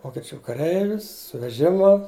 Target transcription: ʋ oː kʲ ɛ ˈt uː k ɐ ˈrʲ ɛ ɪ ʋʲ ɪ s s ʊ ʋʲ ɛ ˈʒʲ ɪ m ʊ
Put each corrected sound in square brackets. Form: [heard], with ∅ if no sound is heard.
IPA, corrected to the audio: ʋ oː kʲ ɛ [ˈt͡ʃʲ] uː k ɐ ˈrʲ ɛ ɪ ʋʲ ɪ s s ʊ ʋʲ ɛ ˈʒʲ ɪ m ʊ